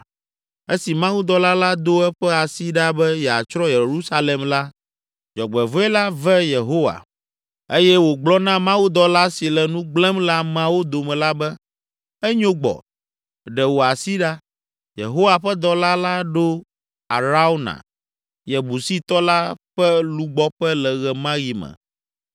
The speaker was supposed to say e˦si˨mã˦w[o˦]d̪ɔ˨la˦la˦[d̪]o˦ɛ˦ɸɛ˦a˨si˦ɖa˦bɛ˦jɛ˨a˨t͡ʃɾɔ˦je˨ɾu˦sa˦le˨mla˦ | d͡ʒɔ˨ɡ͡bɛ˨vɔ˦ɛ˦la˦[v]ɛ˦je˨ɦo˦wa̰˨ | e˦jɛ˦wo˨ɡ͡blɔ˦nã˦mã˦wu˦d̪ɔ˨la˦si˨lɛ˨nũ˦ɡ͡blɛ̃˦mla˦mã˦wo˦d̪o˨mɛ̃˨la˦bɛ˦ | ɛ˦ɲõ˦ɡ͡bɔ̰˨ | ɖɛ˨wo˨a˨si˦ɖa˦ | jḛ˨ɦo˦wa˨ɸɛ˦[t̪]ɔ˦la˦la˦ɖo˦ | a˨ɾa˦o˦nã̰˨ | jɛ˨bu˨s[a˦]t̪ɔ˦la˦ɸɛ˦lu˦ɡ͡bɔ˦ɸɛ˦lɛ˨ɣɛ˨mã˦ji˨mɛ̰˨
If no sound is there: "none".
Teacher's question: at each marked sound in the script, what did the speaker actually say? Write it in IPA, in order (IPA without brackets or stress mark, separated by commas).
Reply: u˦, d̪, v, d̪, i˦